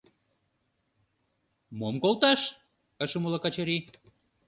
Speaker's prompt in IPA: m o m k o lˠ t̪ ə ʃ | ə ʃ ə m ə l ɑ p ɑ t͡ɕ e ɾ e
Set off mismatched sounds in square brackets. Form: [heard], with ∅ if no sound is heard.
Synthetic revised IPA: m o m k o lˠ t̪ [ɑ] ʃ | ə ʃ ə m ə l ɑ [k] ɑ t͡ɕ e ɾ [i]